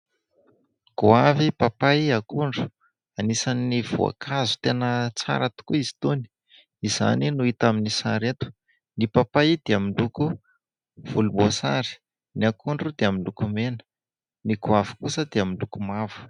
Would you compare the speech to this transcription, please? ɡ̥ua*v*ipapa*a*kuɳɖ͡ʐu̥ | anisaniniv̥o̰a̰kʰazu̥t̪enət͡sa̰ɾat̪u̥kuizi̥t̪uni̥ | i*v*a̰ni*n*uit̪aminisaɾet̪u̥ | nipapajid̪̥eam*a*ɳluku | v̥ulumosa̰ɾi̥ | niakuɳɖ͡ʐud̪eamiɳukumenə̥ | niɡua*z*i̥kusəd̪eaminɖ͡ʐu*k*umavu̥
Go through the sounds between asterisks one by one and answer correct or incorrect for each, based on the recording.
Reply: correct, correct, incorrect: z, correct, incorrect: i, incorrect: v, correct

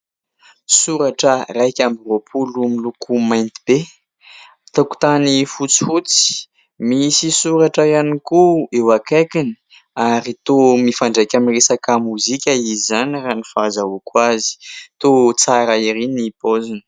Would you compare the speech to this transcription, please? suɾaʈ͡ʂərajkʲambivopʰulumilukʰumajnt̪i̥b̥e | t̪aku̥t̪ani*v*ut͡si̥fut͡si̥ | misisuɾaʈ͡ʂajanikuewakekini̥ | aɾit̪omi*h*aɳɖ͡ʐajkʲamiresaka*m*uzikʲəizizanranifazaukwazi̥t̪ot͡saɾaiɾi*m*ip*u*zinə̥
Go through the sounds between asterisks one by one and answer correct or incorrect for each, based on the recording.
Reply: incorrect: f, incorrect: f, correct, incorrect: n, incorrect: o

